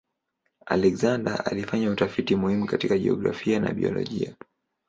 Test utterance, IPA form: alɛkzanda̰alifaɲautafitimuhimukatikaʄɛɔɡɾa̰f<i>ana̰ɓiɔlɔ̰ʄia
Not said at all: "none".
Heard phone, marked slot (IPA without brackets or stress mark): i